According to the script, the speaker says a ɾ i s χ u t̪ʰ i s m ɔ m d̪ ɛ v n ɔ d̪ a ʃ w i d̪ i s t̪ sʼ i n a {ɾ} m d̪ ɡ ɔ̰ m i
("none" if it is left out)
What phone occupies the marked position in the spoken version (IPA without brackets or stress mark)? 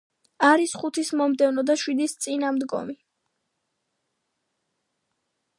none